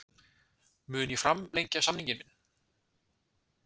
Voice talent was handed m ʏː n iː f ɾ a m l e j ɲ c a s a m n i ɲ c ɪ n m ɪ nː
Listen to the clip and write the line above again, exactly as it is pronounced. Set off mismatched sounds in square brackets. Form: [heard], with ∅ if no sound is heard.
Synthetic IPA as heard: m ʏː n [i] f ɾ a m l e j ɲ c a s a m n i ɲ c ɪ n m ɪ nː